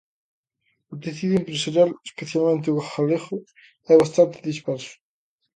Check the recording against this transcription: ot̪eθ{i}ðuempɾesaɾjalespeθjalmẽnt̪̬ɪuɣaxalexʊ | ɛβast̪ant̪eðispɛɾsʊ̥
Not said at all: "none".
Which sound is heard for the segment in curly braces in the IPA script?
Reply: i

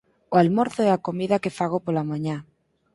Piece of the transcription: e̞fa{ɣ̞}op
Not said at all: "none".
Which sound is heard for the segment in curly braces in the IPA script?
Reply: ɣ̞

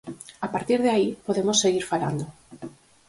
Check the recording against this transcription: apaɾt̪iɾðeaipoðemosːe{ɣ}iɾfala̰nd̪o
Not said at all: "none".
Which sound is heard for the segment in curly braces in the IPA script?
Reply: ɣ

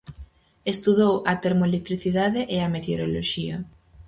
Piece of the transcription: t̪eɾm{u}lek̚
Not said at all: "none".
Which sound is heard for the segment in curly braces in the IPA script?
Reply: o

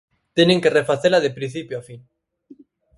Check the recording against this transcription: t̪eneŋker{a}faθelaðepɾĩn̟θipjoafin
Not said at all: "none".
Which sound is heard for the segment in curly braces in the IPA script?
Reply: e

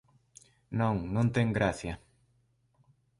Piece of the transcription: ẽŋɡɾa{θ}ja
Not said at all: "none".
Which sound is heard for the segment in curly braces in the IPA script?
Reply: θ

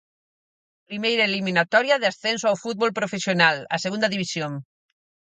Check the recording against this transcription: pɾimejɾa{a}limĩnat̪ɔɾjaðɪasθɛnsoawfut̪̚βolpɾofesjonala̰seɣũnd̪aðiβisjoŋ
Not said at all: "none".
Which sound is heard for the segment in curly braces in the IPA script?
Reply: e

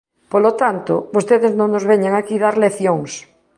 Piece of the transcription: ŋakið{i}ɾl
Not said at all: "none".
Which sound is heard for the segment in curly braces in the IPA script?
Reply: a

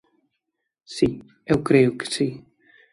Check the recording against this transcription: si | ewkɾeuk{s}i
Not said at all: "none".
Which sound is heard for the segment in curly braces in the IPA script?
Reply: s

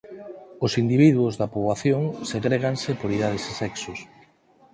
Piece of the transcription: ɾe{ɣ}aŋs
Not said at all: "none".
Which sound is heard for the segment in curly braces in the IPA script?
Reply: ɣ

